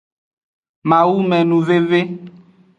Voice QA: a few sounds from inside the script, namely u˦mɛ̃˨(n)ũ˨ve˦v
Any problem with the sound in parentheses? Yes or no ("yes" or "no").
no